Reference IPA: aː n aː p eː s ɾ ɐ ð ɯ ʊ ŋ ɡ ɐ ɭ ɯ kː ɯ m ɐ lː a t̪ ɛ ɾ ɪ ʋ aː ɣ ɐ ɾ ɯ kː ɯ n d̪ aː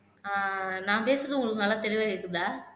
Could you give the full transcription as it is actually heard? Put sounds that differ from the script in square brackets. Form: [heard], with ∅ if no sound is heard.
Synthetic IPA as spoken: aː n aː p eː s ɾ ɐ ð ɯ ʊ ŋ ɡ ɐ ɭ ɯ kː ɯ [n] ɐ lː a t̪ ɛ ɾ ɪ ʋ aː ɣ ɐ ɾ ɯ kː ɯ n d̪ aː